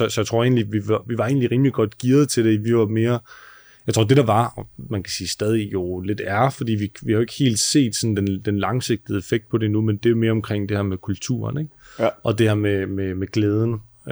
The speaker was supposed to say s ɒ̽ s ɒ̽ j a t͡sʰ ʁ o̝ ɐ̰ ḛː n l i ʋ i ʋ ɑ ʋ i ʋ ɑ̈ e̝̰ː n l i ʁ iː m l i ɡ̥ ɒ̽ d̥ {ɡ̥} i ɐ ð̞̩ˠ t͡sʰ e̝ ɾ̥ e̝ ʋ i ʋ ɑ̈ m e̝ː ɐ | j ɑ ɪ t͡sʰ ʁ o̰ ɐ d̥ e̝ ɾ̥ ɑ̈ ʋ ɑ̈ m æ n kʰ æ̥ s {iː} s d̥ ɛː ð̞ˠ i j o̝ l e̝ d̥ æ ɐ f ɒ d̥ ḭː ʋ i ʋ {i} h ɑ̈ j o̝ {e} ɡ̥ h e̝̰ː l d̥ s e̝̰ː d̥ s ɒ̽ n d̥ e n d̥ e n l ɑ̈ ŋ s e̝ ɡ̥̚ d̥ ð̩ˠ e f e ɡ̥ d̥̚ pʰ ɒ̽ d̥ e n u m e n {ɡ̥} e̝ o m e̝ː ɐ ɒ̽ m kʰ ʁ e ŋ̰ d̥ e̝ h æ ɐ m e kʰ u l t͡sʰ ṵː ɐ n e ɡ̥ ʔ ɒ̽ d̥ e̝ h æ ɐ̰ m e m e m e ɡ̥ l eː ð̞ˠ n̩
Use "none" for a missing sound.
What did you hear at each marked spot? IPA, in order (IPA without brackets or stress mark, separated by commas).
ɡ̥, iː, i, e, d̥